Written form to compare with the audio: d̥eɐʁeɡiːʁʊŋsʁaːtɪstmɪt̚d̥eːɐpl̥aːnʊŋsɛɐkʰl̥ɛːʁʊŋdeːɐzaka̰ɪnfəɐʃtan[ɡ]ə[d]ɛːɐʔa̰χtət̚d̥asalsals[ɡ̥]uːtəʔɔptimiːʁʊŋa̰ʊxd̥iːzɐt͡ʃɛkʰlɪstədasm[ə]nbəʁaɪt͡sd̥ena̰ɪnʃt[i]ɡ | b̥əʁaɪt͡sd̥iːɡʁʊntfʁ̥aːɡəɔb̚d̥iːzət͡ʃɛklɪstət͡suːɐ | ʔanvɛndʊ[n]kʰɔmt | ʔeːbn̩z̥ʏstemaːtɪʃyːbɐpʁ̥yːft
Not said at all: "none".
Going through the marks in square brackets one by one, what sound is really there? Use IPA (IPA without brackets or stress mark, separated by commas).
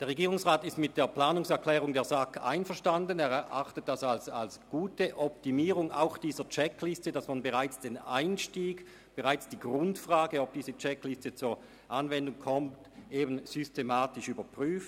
d, n, ɡ̥, a, iː, ŋ